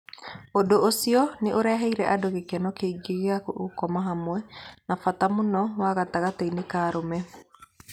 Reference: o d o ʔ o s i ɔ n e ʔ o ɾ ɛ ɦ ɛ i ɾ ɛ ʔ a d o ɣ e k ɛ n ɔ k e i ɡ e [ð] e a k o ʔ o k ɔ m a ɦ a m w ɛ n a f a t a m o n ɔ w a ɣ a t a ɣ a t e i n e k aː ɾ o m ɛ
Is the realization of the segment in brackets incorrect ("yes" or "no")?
yes